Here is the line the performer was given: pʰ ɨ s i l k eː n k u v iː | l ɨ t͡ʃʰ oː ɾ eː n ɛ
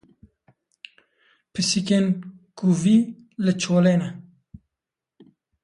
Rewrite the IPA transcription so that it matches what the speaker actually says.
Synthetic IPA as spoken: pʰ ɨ s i k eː n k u v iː | l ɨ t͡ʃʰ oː l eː n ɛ